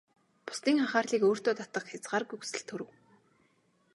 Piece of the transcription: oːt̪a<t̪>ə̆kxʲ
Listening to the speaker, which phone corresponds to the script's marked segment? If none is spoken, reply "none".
t̪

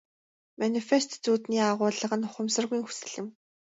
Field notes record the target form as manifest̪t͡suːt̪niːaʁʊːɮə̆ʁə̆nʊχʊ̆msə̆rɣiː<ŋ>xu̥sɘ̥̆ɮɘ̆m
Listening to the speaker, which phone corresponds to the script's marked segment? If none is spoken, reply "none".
ŋ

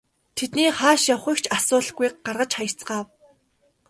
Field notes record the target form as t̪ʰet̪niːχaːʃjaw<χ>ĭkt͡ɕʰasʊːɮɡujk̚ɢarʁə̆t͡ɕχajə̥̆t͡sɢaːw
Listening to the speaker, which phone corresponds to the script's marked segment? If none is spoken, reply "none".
χ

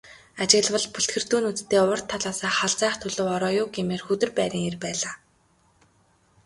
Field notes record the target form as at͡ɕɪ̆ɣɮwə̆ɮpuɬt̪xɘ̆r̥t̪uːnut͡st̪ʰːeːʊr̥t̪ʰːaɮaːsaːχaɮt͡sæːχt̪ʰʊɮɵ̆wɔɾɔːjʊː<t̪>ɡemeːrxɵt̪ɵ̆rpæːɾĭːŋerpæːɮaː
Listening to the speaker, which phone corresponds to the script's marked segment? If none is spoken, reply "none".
none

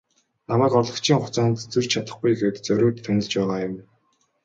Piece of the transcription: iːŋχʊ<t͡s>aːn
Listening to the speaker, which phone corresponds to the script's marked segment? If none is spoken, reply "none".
t͡s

